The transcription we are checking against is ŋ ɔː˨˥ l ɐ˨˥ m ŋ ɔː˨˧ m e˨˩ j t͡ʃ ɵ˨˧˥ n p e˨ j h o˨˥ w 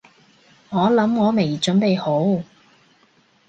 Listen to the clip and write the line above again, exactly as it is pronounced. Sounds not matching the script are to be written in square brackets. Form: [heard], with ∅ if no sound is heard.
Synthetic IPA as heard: ŋ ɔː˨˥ l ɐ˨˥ m ŋ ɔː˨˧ m e˨˩ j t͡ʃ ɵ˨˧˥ n p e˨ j h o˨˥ w